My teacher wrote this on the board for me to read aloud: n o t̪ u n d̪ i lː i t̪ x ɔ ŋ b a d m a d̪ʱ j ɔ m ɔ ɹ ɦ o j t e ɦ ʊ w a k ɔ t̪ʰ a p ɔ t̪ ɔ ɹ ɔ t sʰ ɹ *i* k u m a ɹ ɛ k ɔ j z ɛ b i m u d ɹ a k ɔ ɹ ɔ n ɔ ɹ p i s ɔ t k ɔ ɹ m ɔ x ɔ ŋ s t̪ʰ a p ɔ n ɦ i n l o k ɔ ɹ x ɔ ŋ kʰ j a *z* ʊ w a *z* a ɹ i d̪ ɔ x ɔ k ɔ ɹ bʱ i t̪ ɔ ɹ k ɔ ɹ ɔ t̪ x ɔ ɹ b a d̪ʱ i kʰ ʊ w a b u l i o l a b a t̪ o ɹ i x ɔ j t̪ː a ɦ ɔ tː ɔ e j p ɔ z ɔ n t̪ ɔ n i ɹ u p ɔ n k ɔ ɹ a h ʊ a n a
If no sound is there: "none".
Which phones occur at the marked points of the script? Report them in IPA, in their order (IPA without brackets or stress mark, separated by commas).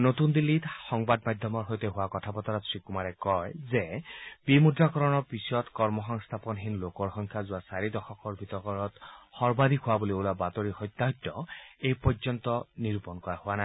i, z, s